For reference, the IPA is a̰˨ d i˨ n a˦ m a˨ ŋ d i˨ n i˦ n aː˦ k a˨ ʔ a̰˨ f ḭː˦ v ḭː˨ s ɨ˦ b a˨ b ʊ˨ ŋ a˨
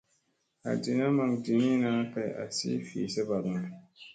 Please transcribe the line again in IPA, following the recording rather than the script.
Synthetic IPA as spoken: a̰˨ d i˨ n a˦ m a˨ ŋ d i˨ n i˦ n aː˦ k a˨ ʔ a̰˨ s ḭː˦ f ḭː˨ s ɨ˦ b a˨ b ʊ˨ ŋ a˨